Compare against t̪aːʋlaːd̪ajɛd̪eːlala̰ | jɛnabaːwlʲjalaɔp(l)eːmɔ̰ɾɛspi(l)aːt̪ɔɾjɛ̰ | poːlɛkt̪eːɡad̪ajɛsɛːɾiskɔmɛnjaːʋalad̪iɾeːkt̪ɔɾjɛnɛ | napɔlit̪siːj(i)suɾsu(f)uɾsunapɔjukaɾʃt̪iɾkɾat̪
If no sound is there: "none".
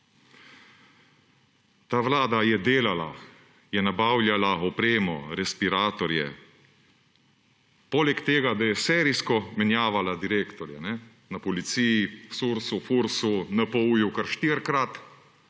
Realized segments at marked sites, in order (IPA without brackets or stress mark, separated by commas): ɾ, ɾ, i, f